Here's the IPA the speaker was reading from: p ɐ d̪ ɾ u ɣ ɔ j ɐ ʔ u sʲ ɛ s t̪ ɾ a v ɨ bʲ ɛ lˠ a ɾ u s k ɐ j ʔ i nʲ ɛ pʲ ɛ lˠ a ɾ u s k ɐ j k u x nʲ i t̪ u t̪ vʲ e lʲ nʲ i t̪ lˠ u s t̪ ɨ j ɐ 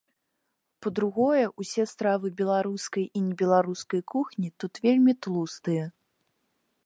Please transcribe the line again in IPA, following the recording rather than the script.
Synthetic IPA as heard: p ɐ d̪ ɾ u ɣ ɔ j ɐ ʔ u sʲ ɛ s t̪ ɾ a v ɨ bʲ ɛ lˠ a ɾ u s k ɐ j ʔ i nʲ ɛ bʲ ɛ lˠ a ɾ u s k ɐ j k u x nʲ i t̪ u t̪ vʲ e lʲ mʲ i t̪ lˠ u s t̪ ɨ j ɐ